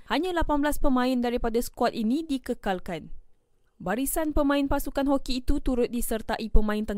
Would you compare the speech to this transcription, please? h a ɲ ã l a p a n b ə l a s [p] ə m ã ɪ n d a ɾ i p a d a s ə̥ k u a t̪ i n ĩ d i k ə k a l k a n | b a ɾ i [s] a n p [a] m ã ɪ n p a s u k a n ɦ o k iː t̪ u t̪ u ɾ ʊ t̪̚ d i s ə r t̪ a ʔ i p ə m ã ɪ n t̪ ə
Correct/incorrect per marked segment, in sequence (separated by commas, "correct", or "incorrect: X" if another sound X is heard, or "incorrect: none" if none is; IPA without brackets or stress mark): correct, correct, incorrect: ə